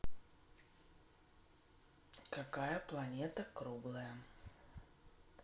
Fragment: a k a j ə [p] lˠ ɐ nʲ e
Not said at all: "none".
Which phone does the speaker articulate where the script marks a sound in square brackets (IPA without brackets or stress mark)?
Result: p